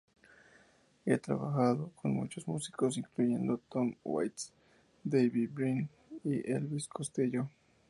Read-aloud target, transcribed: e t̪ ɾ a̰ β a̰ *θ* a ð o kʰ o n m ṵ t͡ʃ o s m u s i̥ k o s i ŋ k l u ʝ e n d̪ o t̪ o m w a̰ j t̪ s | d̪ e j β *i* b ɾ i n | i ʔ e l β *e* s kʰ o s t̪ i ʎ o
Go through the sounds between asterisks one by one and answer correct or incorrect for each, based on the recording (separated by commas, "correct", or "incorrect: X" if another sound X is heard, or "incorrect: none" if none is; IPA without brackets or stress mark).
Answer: incorrect: x, correct, incorrect: i